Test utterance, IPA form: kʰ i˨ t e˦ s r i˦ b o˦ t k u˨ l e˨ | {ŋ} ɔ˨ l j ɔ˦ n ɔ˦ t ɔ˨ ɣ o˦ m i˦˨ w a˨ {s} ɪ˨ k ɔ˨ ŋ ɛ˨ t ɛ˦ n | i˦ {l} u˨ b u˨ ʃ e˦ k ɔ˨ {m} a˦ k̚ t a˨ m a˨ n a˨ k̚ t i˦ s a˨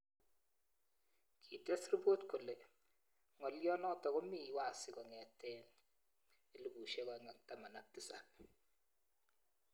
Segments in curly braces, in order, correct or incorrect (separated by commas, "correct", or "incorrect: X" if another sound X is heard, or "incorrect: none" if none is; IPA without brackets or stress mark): correct, correct, correct, incorrect: ŋ